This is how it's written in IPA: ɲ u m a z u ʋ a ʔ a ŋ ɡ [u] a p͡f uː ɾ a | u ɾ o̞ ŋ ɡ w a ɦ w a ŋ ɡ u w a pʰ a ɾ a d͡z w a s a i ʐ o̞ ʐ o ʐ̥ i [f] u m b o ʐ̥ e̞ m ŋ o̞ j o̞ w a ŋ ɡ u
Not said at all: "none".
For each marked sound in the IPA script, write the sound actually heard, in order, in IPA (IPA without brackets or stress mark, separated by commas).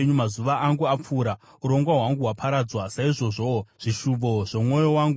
u, ʃ